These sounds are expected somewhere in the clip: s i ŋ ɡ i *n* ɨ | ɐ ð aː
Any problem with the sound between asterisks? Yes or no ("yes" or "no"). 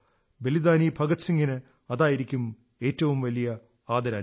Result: no